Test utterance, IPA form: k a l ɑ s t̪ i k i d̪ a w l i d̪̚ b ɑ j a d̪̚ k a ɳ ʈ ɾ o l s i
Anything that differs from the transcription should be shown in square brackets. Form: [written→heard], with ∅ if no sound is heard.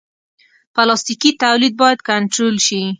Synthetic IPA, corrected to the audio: [k→p] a l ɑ s t̪ i k i [d̪→t̪] a w l i d̪̚ b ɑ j a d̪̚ k a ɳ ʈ ɾ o l [s→ʃ] i